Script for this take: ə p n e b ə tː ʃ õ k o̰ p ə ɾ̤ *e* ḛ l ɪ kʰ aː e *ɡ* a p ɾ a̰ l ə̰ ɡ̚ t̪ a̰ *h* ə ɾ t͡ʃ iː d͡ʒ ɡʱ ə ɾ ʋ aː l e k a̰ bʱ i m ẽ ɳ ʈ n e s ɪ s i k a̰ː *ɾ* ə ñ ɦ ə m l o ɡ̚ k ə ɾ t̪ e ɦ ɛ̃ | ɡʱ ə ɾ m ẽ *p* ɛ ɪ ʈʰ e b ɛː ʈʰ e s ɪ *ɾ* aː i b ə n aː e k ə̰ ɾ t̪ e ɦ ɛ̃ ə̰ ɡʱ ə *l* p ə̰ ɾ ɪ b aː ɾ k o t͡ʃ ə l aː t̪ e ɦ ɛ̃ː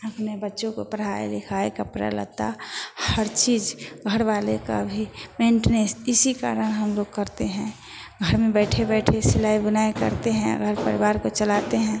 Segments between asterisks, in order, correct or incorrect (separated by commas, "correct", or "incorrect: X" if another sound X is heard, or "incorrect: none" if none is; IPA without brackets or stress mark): incorrect: a, incorrect: k, correct, correct, incorrect: b, incorrect: l, incorrect: ɾ